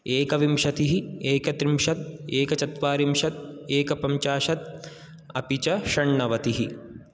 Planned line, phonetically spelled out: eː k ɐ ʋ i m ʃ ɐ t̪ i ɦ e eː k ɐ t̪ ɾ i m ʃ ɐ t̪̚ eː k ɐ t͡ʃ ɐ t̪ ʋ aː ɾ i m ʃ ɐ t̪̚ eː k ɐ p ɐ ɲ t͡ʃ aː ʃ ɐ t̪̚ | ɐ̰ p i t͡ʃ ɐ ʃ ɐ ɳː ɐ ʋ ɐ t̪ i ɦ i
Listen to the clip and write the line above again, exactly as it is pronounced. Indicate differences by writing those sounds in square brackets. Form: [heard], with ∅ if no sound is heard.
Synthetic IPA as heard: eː k ɐ ʋ i m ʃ ɐ t̪ i ɦ [i] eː k ɐ t̪ ɾ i m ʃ ɐ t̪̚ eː k ɐ t͡ʃ ɐ t̪ ʋ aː ɾ i m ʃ ɐ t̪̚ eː k ɐ p ɐ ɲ t͡ʃ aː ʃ ɐ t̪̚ | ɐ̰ p i t͡ʃ ɐ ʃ ɐ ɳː ɐ ʋ ɐ t̪ i ɦ i